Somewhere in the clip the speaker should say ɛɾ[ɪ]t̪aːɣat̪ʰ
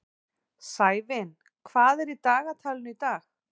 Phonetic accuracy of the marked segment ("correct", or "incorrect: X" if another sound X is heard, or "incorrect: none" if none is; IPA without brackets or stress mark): incorrect: i